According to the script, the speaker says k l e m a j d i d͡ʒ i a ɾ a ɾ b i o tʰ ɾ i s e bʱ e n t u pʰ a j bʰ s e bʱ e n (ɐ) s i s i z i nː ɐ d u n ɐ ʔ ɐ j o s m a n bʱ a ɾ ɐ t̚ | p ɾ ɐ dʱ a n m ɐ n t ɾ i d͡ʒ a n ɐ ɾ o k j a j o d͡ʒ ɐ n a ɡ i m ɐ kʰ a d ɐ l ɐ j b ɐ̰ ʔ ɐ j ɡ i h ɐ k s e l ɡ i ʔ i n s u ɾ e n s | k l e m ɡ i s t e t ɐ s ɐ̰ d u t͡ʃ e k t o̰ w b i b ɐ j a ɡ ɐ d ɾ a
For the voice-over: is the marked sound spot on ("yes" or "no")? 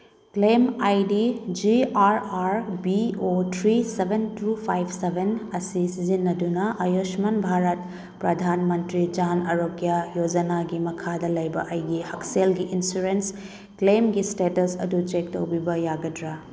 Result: yes